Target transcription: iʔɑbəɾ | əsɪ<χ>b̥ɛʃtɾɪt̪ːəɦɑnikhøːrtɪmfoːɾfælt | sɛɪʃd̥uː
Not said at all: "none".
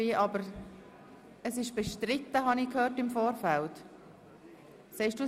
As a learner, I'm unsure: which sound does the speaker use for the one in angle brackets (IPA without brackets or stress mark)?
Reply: ʃ